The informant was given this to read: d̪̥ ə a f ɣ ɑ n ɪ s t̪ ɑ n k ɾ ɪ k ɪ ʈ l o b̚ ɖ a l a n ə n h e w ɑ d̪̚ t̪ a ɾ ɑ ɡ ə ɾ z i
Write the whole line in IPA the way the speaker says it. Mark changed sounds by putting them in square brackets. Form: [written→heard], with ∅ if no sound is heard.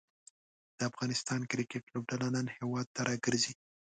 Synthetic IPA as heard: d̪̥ ə a f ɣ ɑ n ɪ s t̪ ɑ n k ɾ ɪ k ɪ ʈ l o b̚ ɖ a l a n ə n h e w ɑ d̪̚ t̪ a ɾ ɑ ɡ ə ɾ z i